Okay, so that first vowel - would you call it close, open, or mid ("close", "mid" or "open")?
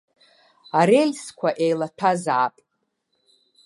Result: open